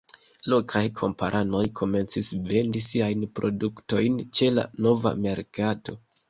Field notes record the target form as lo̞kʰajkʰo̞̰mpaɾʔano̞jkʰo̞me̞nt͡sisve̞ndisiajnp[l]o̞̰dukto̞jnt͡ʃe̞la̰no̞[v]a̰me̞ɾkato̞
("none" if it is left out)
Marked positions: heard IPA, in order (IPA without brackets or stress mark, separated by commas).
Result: ɾ, v